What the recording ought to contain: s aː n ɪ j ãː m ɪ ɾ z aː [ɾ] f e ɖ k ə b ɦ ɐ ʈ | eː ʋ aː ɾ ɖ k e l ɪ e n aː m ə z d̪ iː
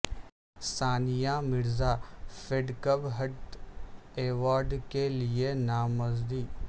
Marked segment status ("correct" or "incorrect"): incorrect